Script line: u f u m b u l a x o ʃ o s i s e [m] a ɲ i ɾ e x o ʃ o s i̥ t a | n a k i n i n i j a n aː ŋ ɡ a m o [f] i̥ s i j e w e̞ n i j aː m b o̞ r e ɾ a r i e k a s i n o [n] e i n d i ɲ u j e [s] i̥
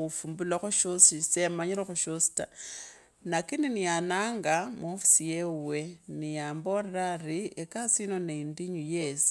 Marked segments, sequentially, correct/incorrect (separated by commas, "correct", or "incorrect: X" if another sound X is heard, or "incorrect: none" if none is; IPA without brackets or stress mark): correct, correct, correct, correct